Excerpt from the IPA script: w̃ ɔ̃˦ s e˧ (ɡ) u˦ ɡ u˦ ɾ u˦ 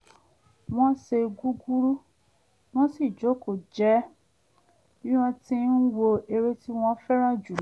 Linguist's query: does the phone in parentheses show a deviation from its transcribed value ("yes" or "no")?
no